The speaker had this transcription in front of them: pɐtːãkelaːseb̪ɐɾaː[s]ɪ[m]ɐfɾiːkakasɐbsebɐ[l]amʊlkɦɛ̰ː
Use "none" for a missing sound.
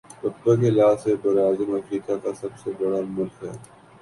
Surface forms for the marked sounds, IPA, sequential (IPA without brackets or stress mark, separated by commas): z, m, ɽ